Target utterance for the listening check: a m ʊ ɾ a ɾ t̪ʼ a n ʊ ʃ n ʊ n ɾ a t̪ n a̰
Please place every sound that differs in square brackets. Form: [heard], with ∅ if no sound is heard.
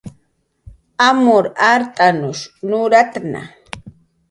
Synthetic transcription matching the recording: a m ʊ ɾ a ɾ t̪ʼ a n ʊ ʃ n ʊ [∅] ɾ a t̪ n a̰